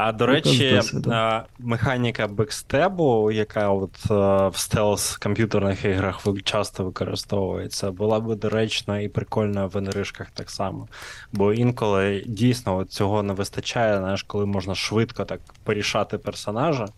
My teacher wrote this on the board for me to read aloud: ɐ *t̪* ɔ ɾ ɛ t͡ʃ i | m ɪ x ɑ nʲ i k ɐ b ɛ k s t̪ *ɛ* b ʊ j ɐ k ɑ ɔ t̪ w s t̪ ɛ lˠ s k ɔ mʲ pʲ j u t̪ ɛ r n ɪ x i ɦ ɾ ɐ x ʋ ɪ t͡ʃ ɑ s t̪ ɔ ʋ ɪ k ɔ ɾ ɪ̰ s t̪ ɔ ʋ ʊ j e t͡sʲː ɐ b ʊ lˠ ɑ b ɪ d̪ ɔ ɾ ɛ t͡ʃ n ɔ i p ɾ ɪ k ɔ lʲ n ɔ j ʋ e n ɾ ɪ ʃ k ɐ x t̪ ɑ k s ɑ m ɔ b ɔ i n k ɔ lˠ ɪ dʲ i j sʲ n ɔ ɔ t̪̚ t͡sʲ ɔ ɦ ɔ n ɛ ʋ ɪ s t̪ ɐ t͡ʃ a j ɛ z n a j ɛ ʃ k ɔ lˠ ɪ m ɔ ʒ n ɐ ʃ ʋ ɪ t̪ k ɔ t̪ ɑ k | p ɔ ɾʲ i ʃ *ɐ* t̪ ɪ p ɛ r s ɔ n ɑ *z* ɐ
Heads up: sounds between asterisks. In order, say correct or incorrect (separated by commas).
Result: incorrect, correct, incorrect, incorrect